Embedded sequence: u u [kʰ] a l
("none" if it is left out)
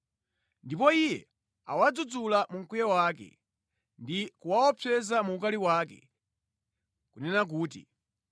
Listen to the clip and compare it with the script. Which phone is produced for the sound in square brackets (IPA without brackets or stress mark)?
k